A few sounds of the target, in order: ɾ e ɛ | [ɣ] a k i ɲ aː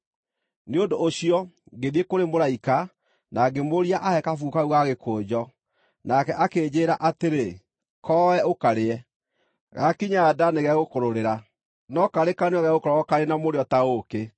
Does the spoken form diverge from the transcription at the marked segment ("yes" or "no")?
no